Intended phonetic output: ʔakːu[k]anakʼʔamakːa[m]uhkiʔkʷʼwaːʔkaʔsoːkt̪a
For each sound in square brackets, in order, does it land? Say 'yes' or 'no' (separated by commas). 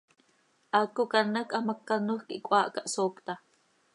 yes, no